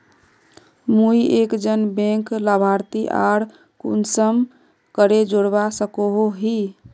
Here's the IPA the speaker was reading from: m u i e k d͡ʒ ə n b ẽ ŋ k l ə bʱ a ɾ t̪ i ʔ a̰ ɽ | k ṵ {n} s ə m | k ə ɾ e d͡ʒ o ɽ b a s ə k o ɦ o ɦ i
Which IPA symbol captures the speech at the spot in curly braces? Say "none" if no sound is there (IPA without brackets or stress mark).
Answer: n